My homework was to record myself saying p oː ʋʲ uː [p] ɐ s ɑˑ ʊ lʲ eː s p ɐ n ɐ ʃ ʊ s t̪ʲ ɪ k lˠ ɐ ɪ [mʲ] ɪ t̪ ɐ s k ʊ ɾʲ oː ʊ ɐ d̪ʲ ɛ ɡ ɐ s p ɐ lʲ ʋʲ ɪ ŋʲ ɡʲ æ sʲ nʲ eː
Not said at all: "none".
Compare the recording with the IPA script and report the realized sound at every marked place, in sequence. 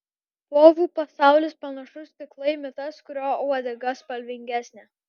p, mʲ

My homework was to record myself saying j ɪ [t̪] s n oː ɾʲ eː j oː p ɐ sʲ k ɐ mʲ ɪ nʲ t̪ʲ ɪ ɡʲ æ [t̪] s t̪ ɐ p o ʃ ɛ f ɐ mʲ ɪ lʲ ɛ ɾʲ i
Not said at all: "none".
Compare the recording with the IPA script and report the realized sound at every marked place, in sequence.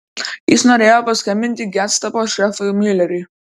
none, t̪

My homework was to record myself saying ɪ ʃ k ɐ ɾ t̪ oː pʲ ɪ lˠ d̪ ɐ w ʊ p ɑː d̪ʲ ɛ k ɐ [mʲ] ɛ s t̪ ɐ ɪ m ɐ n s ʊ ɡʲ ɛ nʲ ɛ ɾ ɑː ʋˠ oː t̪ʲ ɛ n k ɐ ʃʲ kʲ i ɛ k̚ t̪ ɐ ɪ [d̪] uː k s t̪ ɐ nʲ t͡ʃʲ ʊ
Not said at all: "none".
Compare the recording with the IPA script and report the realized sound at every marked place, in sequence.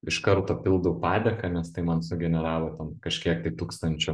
nʲ, t̪

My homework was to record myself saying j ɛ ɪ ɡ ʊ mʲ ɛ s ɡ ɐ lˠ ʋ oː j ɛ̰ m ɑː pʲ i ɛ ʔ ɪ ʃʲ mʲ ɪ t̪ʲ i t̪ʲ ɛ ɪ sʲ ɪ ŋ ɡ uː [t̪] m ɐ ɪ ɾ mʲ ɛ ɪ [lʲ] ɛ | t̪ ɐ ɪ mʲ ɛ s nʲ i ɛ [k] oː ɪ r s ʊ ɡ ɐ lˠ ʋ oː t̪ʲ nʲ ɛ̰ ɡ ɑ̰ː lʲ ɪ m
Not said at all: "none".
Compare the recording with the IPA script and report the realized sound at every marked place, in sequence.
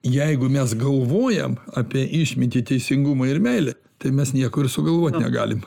none, lʲ, k

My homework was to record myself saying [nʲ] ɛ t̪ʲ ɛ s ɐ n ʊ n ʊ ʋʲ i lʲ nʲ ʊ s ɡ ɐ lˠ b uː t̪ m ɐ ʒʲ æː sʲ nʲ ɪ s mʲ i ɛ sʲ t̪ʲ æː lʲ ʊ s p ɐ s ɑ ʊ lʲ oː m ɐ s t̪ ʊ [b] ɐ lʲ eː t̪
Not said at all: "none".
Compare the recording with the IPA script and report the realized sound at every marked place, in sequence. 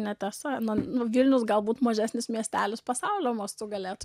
nʲ, ɡ

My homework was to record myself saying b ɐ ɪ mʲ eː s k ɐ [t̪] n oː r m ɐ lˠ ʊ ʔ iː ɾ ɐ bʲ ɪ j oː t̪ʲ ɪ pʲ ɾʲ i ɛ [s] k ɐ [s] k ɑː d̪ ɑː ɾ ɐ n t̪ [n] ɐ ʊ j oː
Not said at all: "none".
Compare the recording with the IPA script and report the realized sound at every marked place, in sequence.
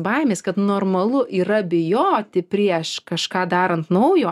t̪, ʃ, ʃ, n

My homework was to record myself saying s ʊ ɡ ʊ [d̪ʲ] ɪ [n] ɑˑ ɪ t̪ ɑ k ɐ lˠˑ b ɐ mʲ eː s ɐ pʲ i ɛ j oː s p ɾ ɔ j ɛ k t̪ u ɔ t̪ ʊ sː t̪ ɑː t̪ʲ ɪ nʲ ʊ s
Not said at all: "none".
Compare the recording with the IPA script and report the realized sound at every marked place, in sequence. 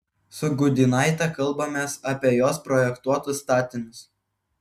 d̪ʲ, n

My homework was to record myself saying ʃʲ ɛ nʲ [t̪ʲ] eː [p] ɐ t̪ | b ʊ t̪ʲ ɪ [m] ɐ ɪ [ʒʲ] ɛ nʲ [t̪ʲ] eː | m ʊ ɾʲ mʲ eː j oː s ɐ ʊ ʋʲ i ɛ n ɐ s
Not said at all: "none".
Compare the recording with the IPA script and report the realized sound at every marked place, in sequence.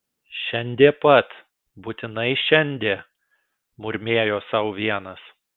d̪ʲ, p, n, ʃʲ, d̪ʲ

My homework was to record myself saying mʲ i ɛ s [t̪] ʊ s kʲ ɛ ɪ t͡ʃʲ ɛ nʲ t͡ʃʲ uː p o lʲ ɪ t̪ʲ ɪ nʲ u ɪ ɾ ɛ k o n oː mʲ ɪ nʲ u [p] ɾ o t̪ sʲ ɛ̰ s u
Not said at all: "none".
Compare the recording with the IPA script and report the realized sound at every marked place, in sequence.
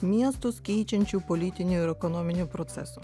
t̪, p

